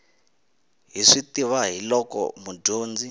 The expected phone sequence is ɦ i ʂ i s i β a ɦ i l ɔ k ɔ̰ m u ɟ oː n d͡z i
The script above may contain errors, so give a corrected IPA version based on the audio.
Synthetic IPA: ɦ i ʂ i t i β a ɦ i l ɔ k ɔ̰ m u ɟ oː n d͡z i